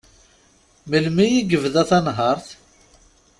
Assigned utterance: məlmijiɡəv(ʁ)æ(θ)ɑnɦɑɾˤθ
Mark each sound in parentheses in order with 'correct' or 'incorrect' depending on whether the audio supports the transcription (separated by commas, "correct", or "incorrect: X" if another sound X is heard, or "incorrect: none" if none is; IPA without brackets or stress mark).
incorrect: ð, correct